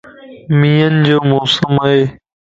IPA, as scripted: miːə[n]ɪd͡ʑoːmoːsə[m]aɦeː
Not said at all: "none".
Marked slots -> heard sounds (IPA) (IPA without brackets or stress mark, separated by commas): n, m